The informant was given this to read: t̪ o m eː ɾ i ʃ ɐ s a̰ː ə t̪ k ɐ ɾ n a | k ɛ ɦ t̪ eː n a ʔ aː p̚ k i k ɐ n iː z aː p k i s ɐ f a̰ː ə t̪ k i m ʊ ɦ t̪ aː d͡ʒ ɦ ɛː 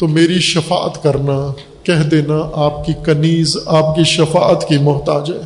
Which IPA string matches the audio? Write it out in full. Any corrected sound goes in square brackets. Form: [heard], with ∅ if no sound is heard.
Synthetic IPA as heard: t̪ o m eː ɾ i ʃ ɐ [f] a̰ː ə t̪ k ɐ ɾ n a | k ɛ ɦ [d̪] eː n a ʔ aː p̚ k i k ɐ n iː z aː p k i [ʃ] ɐ f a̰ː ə t̪ k i m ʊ ɦ t̪ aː d͡ʒ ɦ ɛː